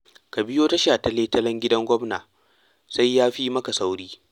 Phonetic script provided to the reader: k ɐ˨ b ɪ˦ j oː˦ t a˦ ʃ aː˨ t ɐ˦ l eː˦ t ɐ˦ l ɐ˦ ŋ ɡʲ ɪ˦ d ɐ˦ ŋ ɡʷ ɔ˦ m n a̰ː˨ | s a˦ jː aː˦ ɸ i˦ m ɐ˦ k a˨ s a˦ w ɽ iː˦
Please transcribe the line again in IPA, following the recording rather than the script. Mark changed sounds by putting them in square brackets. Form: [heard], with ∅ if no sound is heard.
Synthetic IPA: k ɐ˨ b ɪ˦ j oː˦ t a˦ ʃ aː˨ t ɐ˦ l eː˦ t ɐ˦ l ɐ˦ ŋ ɡʲ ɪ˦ d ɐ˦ ŋ ɡʷ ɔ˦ m n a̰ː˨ | s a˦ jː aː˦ ɸ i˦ m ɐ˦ k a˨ s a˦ w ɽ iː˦